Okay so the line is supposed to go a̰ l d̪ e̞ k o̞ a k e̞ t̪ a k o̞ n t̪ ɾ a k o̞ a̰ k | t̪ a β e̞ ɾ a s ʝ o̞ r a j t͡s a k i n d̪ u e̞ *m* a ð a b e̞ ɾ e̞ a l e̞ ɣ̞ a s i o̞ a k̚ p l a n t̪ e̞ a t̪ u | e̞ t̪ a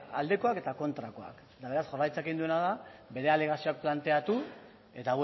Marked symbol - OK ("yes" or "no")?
no